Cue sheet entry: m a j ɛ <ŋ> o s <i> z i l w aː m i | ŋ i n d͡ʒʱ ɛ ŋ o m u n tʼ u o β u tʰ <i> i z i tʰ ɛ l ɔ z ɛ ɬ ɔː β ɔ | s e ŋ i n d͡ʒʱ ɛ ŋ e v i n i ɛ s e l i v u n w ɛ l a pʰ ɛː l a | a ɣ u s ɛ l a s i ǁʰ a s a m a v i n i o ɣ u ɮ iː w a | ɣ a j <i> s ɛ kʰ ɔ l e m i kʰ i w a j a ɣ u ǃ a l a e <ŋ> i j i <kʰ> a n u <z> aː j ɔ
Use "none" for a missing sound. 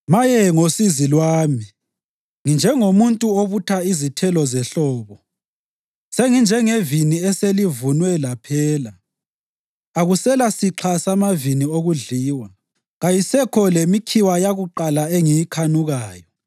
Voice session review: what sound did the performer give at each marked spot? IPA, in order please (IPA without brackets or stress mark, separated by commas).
ŋ, i, a, i, ŋ, kʰ, ɣ